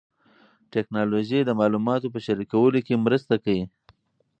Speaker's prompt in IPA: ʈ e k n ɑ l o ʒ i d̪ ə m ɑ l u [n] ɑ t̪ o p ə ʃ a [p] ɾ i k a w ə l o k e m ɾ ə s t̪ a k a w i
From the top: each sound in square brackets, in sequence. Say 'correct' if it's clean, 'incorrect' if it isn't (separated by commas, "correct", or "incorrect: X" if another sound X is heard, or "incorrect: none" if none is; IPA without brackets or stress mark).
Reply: incorrect: m, incorrect: none